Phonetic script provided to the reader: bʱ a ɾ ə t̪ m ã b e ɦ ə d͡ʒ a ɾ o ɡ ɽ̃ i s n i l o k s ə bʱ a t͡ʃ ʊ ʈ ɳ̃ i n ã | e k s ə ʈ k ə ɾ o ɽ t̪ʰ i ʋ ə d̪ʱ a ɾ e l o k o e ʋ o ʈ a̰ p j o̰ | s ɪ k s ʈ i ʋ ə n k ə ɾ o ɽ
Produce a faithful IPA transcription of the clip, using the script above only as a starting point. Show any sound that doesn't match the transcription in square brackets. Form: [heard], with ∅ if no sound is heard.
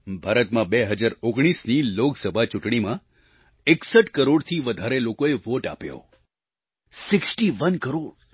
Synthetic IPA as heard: bʱ a ɾ ə t̪ m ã b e ɦ ə d͡ʒ a ɾ o ɡ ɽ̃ i s n i l o k s ə bʱ a t͡ʃ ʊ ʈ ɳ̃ i [m] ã | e k s ə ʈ k ə ɾ o ɽ t̪ʰ i ʋ ə d̪ʱ a ɾ e l o k o e ʋ o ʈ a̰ p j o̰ | s ɪ k s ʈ i ʋ ə n k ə ɾ o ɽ